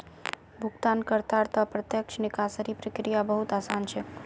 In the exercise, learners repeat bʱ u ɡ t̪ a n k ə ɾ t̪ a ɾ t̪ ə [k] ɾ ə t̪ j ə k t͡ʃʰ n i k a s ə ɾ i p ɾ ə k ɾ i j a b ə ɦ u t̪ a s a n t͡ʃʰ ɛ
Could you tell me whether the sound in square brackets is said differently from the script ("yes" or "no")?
yes